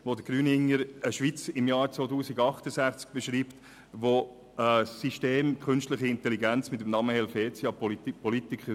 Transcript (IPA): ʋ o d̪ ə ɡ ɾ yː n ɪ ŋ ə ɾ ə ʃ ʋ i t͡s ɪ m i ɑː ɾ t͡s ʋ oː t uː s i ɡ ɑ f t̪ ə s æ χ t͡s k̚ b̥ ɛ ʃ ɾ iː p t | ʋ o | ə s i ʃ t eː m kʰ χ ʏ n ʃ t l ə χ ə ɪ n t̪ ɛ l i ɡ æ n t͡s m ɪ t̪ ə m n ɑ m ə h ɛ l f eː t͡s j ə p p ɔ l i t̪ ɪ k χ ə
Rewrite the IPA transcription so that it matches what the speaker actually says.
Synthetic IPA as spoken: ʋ o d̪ ə ɡ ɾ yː n ɪ ŋ ə ɾ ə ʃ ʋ i t͡s ɪ m j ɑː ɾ t͡s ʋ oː t uː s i ɡ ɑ χ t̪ ə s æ χ t͡s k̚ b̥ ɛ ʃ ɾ iː p t | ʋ o | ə s i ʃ t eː m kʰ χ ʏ n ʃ t l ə χ ə ɪ n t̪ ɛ l i ɡ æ n t͡s m ɪ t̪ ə m n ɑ m ə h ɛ l f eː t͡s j ɑ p p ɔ l i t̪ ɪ k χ ə

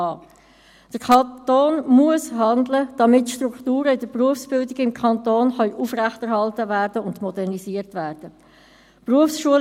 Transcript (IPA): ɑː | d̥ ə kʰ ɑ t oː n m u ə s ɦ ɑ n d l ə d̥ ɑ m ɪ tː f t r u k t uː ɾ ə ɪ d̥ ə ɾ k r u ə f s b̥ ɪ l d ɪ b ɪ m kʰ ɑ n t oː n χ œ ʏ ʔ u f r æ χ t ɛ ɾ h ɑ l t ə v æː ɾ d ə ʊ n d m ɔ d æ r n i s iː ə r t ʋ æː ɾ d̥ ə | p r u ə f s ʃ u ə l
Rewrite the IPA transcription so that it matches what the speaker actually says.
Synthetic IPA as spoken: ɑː | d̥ ə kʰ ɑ t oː n m u ə s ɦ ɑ n d l ə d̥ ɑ m ɪ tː ʃ t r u k t uː ɾ ə ɪ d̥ ə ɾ p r u ə f s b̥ ɪ l d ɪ ɡ ɪ m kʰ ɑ n t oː n χ œ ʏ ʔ u f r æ χ t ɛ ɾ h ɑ l t ə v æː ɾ d ə ʊ n d m ɔ d ɛ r n i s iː ə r t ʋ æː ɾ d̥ ə | p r u ə f s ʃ u ə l

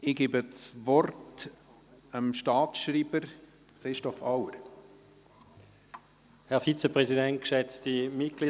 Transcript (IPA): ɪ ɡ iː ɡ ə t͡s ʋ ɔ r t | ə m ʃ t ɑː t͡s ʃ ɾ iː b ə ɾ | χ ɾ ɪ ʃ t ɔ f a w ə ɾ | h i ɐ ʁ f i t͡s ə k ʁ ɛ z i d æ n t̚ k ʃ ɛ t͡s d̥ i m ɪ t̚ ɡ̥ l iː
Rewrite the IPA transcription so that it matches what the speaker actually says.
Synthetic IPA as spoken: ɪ ɡ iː b ə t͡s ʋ ɔ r t | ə m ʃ t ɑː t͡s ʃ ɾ iː b ə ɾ | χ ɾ ɪ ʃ t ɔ f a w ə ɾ | h ɛ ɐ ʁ f i t͡s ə p ʁ ɛ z i d ɛ n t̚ k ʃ ɛ t͡s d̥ i m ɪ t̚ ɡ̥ l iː

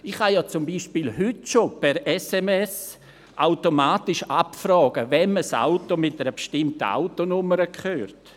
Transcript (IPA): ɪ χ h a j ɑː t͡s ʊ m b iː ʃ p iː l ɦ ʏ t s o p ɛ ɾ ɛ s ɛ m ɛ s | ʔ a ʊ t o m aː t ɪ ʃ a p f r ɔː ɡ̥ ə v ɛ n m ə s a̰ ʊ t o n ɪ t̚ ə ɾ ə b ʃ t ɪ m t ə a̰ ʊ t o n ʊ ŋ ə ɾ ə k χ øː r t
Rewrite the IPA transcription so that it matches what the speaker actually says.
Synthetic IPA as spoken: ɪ χ h a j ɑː t͡s ʊ m b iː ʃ p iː l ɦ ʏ t ʃ o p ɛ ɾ ɛ s ɛ m ɛ s | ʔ a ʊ t o m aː t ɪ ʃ a p f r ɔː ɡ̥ ə v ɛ n m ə s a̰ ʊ t o m ɪ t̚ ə ɾ ə b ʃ t ɪ m t ə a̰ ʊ t o n ʊ m ə ɾ ə k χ øː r t

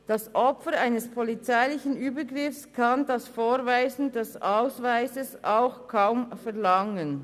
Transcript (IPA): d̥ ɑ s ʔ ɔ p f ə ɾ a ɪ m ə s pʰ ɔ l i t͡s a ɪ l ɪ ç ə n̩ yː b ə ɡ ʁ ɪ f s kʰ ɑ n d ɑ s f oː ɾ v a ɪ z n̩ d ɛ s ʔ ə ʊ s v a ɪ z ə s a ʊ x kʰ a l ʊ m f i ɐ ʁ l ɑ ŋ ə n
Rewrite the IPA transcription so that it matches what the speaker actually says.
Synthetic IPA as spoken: d̥ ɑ s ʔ ɔ p f ə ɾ a ɪ n ə s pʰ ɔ l i t͡s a ɪ l ɪ ç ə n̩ yː b ə ɡ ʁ ɪ f s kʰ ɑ n d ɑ s f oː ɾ v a ɪ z n̩ d ɛ s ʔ a ʊ s v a ɪ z ə s a ʊ x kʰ a ʊ m f ɛ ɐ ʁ l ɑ ŋ ə n

